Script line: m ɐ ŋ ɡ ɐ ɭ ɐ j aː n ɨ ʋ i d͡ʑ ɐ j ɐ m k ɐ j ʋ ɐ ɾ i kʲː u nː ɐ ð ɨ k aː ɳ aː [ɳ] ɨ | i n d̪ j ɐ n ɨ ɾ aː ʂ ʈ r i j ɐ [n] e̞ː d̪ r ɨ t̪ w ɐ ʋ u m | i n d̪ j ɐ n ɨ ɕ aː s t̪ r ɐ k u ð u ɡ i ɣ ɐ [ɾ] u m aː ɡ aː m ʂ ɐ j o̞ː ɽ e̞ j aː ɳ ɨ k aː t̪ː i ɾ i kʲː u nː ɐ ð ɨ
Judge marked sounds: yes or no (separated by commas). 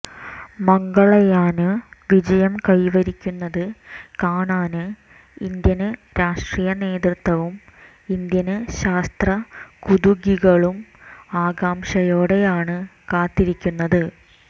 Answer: no, yes, no